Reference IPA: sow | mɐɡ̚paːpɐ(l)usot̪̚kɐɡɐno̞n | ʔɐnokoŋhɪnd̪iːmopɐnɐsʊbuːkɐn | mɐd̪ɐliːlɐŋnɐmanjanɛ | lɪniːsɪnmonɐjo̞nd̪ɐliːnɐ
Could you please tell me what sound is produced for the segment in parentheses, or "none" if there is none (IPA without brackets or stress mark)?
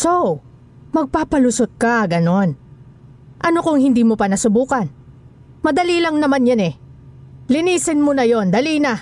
l